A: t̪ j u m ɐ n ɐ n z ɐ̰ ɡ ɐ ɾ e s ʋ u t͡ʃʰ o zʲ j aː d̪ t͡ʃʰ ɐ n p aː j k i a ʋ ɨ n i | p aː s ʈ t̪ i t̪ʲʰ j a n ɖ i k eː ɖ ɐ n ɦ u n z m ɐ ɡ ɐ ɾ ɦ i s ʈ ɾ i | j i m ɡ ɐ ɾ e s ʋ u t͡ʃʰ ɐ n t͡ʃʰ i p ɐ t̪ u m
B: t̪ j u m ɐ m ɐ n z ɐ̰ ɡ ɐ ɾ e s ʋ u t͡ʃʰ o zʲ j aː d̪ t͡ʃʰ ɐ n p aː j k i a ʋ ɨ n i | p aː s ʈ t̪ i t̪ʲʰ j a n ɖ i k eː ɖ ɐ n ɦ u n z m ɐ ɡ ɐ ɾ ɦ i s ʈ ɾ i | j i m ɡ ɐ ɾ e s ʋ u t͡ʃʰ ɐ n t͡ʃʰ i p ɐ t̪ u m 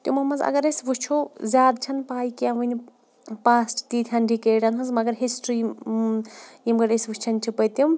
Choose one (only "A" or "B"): B